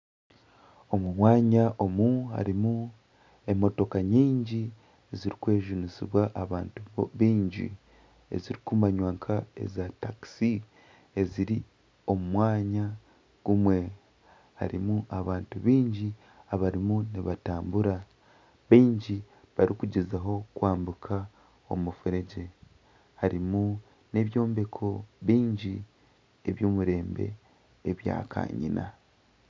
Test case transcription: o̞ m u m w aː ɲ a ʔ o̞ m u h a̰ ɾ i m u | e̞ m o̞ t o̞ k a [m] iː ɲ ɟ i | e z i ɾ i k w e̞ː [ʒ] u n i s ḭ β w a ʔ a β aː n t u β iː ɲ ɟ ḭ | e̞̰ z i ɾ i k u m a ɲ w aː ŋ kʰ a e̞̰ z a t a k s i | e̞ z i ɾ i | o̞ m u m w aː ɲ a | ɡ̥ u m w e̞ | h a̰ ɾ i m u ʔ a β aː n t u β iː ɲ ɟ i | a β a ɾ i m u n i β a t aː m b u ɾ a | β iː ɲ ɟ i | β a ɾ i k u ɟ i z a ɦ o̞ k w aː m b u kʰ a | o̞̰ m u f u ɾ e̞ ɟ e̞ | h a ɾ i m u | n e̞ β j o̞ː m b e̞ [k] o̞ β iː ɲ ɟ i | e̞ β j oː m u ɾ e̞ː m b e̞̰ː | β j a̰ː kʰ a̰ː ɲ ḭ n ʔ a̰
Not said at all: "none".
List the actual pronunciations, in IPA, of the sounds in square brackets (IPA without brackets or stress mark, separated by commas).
ɲ, ʒ, kʰ